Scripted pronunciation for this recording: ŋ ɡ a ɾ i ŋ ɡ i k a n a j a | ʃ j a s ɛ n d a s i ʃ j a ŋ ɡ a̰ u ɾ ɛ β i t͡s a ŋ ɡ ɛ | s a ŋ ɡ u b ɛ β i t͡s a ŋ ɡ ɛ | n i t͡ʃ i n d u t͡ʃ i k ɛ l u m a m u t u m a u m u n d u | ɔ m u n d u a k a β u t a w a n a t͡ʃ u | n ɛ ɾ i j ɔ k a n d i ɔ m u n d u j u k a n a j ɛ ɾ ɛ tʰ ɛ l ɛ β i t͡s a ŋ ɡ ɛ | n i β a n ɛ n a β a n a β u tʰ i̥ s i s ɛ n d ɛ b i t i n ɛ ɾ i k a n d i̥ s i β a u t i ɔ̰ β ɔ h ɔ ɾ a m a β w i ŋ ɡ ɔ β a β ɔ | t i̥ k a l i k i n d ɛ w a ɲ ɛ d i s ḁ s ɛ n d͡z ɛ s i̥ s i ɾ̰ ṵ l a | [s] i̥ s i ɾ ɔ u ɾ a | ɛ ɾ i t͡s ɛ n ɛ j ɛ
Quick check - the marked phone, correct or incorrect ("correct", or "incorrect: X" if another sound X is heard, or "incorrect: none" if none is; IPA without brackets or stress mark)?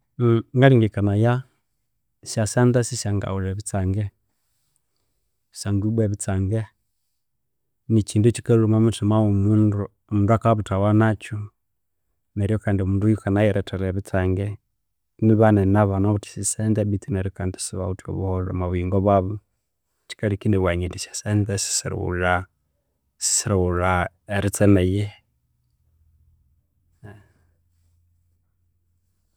correct